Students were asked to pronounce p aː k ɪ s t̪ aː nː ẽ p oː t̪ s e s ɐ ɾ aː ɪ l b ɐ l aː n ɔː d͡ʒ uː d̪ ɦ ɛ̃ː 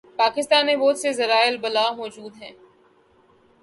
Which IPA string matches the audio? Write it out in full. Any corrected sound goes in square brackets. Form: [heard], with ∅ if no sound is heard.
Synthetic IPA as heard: p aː k ɪ s t̪ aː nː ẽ [b] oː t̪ s e [z] ɐ ɾ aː ɪ l b ɐ l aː [m] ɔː d͡ʒ uː d̪ ɦ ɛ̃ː